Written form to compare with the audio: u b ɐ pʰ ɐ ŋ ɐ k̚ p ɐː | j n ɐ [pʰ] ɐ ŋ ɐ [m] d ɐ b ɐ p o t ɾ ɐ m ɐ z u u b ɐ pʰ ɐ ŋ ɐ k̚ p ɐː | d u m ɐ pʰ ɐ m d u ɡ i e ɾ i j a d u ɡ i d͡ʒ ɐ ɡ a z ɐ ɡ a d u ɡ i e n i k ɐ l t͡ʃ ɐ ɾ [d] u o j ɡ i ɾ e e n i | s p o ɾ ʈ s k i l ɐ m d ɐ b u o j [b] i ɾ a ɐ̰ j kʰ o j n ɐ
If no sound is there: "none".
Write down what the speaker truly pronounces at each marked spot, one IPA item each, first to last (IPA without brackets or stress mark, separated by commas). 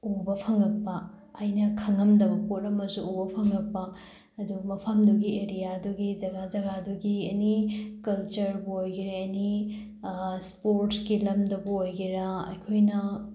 kʰ, m, b, ɡ